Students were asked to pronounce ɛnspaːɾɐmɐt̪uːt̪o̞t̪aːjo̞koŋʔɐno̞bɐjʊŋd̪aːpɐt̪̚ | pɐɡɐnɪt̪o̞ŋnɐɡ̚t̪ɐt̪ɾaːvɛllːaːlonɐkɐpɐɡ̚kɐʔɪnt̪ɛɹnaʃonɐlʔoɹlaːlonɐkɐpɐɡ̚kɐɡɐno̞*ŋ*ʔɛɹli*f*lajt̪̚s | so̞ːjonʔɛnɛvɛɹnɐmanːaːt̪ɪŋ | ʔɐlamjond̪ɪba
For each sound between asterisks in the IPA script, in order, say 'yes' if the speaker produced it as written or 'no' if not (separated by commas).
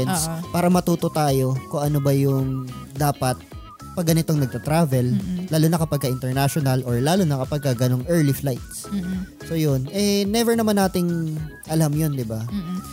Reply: yes, yes